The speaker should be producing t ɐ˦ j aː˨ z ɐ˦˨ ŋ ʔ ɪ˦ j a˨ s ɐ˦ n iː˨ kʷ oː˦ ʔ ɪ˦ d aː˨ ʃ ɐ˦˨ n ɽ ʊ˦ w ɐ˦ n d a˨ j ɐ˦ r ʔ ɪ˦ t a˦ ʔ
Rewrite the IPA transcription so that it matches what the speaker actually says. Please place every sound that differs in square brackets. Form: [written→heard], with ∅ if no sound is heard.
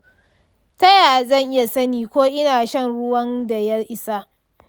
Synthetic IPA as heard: t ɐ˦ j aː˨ z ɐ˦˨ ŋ ʔ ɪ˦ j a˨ s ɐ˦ n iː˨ kʷ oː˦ ʔ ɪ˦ [d→n] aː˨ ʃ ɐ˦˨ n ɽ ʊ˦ w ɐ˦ n d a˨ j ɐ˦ r ʔ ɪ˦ [t→s] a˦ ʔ